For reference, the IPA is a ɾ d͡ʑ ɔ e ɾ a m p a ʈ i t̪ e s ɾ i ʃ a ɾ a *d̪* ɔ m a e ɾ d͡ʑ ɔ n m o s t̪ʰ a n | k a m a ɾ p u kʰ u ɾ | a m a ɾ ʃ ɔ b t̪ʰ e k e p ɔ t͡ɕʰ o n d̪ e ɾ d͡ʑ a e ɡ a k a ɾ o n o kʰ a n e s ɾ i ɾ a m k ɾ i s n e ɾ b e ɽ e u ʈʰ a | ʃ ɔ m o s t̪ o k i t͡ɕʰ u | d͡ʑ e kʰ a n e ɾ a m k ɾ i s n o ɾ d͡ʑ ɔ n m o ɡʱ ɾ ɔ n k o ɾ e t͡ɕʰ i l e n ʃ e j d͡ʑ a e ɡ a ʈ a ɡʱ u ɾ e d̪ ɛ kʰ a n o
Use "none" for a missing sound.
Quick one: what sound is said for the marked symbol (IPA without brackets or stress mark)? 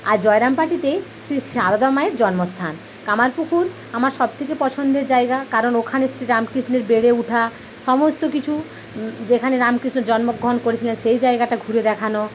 d̪